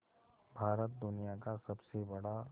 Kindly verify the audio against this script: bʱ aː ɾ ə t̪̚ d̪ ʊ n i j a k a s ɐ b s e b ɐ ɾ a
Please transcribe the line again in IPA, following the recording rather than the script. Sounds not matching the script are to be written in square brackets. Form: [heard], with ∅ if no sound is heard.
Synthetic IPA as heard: bʱ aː ɾ ə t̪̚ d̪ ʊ n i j a k a s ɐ b s e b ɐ [ɽ] a